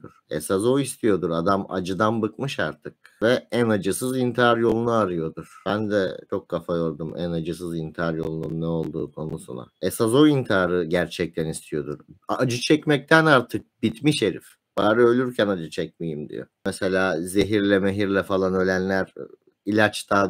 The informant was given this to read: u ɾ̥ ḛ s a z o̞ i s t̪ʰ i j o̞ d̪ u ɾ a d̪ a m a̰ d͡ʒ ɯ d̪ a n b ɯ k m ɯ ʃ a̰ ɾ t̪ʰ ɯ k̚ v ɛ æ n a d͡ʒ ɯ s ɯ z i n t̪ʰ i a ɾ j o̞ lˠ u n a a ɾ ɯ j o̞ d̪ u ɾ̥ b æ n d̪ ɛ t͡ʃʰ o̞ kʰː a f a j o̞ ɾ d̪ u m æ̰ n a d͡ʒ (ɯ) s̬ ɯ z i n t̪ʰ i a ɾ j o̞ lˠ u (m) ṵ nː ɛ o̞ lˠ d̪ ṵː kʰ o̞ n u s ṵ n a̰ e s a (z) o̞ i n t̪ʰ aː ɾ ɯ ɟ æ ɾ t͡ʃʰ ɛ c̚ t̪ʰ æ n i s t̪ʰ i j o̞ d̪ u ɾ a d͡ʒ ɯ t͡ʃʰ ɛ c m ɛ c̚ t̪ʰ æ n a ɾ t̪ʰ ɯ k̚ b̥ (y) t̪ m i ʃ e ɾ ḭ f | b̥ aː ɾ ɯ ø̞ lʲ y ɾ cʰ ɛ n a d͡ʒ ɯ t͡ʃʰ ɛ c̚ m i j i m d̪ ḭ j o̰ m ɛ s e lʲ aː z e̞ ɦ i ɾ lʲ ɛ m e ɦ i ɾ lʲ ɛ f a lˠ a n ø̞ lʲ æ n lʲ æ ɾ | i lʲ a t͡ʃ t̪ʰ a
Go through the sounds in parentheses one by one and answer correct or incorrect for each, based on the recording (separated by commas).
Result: correct, incorrect, correct, incorrect